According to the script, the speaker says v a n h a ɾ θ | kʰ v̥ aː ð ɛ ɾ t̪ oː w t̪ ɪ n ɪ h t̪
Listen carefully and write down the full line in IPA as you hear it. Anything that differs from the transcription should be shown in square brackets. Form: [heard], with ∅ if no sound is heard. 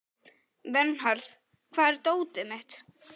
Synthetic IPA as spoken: v [ɛ] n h a ɾ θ | kʰ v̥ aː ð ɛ ɾ t̪ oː w t̪ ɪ [m] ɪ h t̪